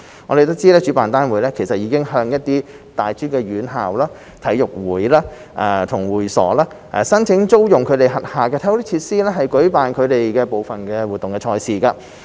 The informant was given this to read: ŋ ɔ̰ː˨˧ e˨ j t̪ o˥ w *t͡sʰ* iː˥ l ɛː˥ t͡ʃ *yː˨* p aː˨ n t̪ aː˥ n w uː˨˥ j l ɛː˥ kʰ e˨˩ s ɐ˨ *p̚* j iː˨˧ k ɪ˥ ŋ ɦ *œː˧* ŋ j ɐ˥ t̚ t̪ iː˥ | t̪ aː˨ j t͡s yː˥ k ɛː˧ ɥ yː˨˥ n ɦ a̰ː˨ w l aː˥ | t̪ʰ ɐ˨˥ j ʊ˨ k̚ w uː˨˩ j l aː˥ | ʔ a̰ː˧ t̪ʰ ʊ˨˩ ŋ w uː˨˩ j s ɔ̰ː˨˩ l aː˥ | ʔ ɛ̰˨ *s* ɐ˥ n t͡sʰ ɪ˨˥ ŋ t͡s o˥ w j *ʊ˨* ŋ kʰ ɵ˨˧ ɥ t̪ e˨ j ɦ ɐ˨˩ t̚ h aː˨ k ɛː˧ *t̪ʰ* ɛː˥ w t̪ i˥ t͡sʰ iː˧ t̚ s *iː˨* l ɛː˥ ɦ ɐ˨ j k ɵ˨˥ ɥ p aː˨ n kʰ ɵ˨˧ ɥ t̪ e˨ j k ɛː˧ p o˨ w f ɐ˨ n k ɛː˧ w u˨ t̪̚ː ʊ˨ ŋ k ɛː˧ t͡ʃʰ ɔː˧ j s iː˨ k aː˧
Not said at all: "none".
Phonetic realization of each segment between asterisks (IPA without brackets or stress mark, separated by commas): t͡s, yː˨˥, t̚, œː˧, s, ʊ˨, t̪ʰ, iː˥